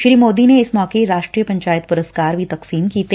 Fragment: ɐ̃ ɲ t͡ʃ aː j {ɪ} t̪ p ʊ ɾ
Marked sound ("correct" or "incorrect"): correct